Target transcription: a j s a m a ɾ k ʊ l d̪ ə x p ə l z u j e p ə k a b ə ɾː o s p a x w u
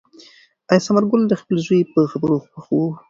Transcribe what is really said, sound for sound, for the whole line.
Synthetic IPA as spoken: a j s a m a ɾ ɡ ʊ l d̪ ə x p ə l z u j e p ə x a b ə ɾ o x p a x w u